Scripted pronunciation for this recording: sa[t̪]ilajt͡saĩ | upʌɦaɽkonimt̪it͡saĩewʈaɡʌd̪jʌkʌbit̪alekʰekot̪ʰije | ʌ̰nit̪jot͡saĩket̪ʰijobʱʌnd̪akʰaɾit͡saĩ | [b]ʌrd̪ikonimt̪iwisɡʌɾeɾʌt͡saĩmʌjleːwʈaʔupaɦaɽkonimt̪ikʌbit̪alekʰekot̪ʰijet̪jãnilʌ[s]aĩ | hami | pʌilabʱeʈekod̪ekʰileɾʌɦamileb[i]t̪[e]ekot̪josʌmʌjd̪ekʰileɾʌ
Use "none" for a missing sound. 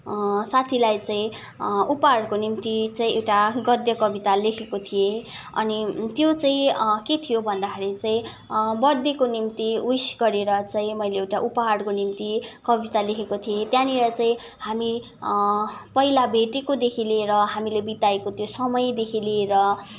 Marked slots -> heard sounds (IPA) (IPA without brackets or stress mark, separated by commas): t̪ʰ, b, t͡s, i, a